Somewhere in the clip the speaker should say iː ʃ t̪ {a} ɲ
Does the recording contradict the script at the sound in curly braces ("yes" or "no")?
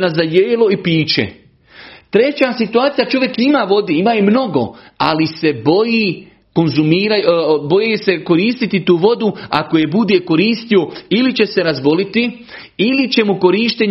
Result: yes